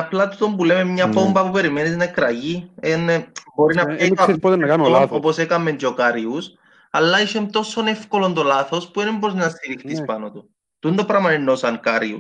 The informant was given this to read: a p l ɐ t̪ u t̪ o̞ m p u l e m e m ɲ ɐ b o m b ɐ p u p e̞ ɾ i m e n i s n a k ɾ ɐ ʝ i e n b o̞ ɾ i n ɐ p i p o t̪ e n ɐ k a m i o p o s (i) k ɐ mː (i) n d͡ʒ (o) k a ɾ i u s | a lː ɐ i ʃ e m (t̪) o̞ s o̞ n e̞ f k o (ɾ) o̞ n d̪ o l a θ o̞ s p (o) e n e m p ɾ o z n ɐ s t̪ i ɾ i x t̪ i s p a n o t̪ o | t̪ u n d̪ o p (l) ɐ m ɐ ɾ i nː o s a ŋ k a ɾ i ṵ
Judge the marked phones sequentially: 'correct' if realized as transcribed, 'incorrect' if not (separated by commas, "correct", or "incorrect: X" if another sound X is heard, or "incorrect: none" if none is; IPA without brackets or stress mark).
incorrect: e, incorrect: e, correct, correct, incorrect: l, incorrect: u, incorrect: ɾ